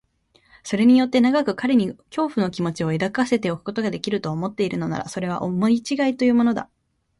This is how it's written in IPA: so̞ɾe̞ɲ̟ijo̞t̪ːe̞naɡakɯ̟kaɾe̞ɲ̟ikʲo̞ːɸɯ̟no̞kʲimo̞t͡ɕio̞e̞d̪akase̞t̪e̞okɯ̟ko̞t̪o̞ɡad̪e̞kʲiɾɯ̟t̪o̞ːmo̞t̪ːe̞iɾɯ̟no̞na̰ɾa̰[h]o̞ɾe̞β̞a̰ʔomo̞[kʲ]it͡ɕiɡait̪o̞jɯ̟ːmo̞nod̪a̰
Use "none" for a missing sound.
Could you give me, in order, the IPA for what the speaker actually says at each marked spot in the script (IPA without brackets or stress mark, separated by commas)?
s, none